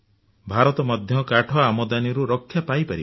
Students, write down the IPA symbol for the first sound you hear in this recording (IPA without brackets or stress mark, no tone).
bʱ